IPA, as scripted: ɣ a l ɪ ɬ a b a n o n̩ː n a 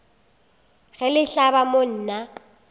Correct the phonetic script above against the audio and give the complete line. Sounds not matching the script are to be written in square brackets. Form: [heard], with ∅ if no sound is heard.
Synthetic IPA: ɣ [ɛ] l ɪ ɬ a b a [m] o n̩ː n a